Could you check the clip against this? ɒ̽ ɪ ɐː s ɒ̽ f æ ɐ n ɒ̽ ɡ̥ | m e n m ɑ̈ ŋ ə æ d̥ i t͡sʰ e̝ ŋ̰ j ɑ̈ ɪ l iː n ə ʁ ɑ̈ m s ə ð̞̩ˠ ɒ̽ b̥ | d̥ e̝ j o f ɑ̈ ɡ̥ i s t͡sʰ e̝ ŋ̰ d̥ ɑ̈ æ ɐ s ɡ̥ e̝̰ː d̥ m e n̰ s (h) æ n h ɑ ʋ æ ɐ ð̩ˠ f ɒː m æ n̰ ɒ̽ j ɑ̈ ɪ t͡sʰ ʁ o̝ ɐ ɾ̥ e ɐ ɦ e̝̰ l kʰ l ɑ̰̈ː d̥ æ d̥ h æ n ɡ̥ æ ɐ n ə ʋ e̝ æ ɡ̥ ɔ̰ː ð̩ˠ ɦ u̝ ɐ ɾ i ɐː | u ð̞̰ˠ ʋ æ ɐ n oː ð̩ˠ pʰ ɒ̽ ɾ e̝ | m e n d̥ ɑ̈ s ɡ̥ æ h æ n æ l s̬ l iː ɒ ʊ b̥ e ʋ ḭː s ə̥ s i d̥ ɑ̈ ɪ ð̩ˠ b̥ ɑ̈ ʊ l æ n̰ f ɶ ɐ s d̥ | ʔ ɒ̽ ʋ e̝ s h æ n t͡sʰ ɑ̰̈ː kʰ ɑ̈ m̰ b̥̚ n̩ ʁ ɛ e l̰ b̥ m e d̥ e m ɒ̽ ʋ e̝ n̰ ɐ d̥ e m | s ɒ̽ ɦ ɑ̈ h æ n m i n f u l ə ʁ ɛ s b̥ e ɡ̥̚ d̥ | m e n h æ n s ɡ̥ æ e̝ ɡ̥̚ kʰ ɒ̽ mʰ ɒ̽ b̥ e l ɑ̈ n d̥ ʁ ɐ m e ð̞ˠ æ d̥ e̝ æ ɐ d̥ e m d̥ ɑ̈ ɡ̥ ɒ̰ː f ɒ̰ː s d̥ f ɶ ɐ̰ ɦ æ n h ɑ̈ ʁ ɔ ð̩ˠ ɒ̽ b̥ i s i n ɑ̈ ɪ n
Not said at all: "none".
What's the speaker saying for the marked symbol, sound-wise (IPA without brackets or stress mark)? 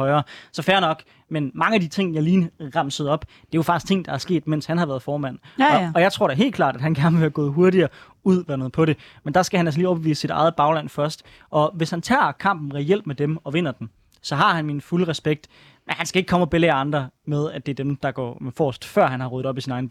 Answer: h